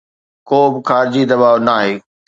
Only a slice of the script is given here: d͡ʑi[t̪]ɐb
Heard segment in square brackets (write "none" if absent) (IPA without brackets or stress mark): d̪